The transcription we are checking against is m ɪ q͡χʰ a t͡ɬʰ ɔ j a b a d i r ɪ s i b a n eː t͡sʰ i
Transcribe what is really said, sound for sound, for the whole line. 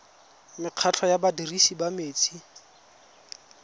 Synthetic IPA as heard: m ɪ q͡χʰ a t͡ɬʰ ɔ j a b a d i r i s i b a m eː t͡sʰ i